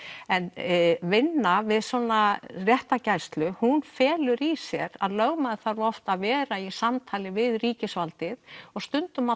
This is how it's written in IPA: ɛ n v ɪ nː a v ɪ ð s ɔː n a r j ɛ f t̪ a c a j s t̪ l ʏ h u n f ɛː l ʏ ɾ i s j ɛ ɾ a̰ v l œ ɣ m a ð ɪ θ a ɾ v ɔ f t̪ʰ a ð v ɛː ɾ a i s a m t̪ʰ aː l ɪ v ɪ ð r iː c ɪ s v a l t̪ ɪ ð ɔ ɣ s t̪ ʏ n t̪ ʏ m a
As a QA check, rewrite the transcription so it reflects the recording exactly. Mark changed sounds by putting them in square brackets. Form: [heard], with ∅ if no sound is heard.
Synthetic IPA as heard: ɛ n v ɪ nː a v ɪ ð s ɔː n a r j ɛ [h] t̪ a c a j s t̪ l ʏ h u n f ɛː l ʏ ɾ i s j ɛ ɾ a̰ [ð] l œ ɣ m a ð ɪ θ a ɾ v ɔ f [t̪] a ð v ɛː ɾ a i s a m t̪ʰ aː l ɪ v ɪ ð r iː c ɪ s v a l t̪ ɪ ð ɔ ɣ s t̪ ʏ n t̪ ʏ m a